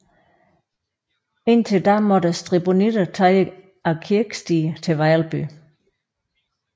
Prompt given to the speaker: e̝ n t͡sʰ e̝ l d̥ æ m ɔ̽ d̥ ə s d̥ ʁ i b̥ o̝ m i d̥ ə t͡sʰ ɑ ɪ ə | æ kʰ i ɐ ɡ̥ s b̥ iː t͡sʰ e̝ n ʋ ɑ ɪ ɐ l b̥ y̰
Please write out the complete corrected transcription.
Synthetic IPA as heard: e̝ n t͡sʰ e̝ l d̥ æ m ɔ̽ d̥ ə s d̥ ʁ i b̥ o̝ n i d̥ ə t͡sʰ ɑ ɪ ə | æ kʰ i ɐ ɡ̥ s d̥ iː t͡sʰ e̝ ʋ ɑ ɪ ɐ l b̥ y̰